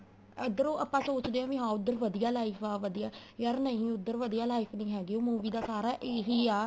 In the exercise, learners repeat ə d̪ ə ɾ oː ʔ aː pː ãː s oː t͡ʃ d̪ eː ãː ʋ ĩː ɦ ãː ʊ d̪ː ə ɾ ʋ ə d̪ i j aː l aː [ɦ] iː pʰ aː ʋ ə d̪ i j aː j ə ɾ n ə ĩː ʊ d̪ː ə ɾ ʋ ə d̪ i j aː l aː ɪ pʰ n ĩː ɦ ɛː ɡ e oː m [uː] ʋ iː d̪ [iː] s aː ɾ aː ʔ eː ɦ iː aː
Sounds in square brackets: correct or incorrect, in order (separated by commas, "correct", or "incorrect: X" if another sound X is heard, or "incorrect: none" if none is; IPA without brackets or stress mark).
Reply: incorrect: none, correct, incorrect: aː